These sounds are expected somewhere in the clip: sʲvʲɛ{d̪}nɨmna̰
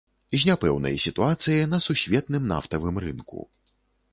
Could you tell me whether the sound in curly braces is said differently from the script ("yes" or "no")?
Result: yes